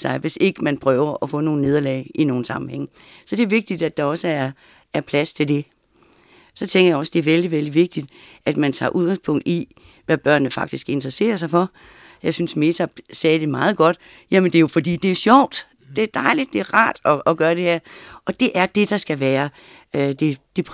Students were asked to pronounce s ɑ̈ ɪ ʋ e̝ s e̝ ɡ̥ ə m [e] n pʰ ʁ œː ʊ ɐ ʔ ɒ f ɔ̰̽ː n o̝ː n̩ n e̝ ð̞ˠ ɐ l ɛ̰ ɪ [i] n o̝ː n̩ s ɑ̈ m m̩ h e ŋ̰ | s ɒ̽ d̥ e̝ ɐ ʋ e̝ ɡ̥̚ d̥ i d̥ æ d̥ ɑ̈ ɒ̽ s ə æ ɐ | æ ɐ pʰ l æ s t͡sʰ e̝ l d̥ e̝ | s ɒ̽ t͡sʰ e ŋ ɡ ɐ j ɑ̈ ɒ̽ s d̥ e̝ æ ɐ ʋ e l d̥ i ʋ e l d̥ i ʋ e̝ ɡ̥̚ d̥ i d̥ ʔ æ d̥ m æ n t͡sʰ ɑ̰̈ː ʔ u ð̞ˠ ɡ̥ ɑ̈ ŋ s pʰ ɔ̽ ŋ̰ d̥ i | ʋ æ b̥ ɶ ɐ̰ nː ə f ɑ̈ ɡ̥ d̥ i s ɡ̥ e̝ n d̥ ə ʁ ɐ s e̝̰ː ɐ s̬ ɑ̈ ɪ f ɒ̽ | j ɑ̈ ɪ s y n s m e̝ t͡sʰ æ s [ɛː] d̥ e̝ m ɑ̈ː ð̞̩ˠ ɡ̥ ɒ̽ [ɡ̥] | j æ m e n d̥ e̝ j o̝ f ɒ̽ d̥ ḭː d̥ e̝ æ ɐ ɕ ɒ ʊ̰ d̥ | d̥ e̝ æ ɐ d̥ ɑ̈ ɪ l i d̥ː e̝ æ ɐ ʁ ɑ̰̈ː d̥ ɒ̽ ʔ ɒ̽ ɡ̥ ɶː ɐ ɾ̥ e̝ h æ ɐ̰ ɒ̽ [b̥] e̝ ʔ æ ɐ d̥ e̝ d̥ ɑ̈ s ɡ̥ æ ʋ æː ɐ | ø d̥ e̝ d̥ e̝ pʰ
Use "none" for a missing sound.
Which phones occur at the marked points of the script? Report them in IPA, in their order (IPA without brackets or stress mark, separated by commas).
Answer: æ, i, ɛː, d̥, d̥